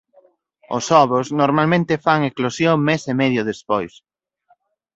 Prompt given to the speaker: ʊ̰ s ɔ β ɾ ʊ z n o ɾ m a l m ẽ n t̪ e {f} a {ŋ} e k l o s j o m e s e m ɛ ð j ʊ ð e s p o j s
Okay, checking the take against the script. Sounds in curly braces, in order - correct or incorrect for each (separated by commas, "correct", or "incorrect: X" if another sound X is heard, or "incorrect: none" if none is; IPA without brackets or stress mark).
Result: correct, correct